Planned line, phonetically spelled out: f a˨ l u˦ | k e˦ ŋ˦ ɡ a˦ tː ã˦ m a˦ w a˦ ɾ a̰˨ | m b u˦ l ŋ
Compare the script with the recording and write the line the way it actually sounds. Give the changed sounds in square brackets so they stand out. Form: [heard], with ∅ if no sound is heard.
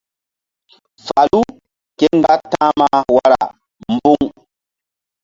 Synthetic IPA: f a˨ l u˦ | k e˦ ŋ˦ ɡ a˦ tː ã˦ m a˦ w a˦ ɾ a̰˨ | m b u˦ [∅] ŋ